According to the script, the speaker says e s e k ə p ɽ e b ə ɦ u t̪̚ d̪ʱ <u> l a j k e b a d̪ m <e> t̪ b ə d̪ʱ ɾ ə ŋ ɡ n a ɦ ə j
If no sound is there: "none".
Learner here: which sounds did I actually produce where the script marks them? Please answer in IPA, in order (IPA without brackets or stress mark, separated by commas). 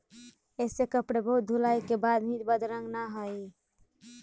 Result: u, i